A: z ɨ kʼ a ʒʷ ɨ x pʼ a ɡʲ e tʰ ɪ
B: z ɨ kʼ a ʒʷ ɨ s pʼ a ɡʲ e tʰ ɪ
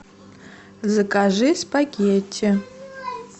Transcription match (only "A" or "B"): B